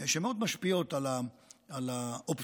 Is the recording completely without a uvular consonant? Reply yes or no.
yes